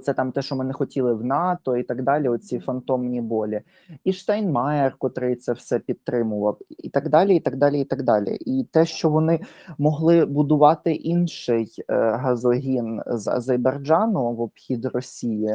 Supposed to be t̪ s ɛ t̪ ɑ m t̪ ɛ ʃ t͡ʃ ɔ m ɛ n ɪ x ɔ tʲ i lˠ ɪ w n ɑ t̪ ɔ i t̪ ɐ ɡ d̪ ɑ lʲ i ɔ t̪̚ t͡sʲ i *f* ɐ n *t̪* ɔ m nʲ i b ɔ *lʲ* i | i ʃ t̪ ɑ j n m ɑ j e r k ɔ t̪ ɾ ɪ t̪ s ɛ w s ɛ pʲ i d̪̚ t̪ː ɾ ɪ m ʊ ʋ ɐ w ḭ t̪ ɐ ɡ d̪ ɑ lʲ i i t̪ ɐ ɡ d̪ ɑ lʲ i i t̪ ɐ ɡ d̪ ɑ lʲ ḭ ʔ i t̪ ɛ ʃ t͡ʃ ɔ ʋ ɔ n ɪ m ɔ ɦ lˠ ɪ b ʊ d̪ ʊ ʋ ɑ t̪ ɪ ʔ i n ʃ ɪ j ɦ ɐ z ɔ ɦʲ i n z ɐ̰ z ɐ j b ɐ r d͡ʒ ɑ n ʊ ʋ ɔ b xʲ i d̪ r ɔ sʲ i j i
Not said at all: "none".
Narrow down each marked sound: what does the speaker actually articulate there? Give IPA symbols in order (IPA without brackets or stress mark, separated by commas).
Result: f, t̪, lʲ